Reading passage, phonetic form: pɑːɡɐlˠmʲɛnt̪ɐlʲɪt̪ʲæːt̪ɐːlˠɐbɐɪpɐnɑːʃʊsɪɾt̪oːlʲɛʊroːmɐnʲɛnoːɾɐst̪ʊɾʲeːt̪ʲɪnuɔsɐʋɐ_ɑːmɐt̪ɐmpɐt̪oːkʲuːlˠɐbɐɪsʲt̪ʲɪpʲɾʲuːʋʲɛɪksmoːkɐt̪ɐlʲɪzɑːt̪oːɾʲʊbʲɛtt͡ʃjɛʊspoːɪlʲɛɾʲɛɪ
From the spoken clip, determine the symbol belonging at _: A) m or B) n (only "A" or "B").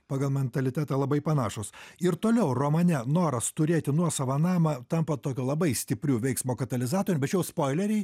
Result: B